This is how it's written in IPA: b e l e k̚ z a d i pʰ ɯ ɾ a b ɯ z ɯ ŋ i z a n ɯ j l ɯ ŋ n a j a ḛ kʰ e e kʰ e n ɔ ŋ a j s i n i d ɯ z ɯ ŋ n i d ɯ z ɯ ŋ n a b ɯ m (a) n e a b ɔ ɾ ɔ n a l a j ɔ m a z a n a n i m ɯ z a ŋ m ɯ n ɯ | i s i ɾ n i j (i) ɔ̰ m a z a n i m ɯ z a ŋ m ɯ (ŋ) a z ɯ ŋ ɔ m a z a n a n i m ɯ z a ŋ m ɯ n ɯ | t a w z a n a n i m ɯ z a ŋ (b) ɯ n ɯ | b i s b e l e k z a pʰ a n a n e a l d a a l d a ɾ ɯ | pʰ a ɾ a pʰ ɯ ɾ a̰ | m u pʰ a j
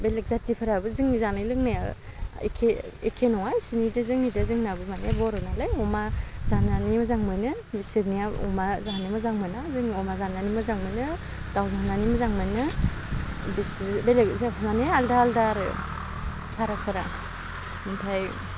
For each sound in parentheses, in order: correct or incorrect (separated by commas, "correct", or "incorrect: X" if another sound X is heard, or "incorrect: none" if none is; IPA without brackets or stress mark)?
correct, incorrect: a, incorrect: n, incorrect: m